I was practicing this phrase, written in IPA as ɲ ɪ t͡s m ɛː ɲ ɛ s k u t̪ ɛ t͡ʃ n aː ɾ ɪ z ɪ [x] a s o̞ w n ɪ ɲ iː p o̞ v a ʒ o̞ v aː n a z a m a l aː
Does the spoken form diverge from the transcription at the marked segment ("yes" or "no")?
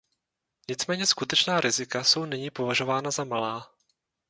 yes